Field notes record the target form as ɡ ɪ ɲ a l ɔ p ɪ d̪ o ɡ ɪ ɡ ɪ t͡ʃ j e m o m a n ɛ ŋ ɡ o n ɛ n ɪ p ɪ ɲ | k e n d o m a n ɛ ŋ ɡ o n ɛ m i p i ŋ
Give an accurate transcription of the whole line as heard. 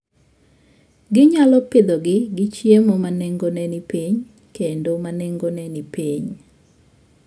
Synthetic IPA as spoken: ɡ ɪ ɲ a l ɔ p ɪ d̪ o ɡ ɪ ɡ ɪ t͡ʃ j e m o m a n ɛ ŋ ɡ o n ɛ n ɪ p i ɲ | k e n d o m a n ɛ ŋ ɡ o n ɛ n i p i ɲ

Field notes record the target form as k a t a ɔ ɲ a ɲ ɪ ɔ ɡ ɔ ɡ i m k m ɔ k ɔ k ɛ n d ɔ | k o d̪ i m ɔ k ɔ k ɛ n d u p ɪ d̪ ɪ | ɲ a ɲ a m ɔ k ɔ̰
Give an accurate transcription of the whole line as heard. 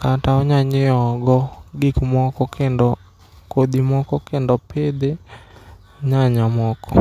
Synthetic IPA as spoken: k a t a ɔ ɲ a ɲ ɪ ɔ ɡ ɔ ɡ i k m ɔ k ɔ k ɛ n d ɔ | k o d̪ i m ɔ k ɔ k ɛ n d ɔ p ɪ d̪ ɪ | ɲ a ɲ a m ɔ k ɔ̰

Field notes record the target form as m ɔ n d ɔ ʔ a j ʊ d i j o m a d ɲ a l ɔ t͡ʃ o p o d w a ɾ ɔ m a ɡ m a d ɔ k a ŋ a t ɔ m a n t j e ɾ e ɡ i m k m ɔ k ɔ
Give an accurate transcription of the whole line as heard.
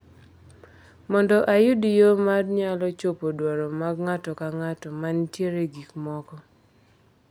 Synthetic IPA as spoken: m ɔ n d ɔ ʔ a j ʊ d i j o m a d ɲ a l ɔ t͡ʃ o p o d w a ɾ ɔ m a ɡ ŋ a t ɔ k a ŋ a t ɔ m a n t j e ɾ e ɡ i k m ɔ k ɔ

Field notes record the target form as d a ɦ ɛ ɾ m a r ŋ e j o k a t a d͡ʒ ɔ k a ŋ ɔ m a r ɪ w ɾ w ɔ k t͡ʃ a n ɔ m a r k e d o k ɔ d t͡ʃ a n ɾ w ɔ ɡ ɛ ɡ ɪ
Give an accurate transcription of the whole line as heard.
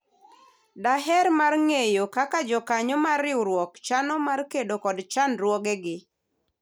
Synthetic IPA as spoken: d a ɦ ɛ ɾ m a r ŋ e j o k a k a d͡ʒ ɔ k a ɲ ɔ m a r ɪ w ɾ w ɔ k t͡ʃ a n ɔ m a r k e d o k ɔ d t͡ʃ a n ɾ w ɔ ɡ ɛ ɡ ɪ

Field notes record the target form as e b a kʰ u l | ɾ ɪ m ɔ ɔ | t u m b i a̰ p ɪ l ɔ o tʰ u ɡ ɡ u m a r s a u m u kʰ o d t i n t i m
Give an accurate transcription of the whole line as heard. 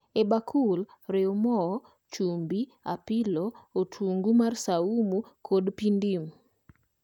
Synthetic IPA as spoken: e b a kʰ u l | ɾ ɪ m ɔ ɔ | t͡ʃ u m b i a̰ p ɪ l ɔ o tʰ u ŋ ɡ u m a r s a u m u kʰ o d p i n d i m

